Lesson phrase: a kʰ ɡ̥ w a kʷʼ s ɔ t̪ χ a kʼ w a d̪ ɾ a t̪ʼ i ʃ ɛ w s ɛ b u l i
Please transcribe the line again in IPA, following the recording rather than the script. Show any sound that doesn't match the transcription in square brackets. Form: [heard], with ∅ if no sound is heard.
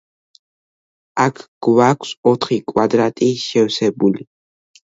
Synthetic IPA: a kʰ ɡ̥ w a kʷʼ s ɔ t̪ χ [i] kʼ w a d̪ ɾ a t̪ʼ i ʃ ɛ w s ɛ b u l i